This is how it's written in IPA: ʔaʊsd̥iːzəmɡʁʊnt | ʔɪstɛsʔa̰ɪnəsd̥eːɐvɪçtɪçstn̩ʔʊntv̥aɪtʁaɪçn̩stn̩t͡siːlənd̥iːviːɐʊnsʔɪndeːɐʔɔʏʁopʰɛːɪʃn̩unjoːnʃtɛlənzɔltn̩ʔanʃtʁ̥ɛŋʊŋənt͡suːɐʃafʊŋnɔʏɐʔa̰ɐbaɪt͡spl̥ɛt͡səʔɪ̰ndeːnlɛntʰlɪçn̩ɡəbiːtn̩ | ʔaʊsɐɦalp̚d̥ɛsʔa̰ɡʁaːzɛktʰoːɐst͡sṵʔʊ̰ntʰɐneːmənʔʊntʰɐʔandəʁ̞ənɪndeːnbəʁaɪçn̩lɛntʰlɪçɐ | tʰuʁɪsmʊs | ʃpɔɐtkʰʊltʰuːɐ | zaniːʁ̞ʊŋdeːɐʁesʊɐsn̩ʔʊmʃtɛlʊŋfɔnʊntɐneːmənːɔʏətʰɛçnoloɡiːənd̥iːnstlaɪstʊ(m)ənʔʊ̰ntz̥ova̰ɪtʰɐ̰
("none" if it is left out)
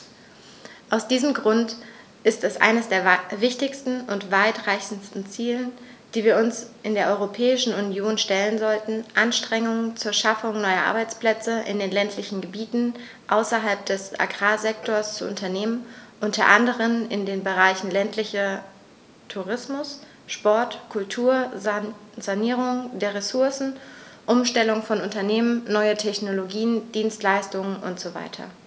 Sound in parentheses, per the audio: ŋ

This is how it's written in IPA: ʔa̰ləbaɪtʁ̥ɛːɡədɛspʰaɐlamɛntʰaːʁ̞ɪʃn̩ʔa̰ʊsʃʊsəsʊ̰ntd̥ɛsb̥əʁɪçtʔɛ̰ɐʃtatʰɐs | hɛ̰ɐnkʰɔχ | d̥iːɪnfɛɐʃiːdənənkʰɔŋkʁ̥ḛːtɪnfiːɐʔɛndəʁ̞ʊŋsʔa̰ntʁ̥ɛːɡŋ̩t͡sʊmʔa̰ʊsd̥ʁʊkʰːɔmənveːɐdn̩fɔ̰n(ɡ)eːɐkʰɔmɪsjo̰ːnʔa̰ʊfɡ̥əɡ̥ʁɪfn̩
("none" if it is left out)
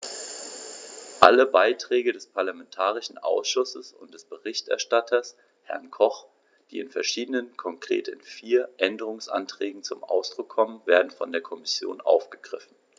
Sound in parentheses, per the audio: d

